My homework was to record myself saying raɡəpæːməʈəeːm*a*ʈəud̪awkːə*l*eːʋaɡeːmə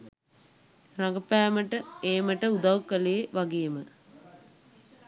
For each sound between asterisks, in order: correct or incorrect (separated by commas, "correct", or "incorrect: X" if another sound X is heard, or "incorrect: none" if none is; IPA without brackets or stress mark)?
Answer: incorrect: ə, correct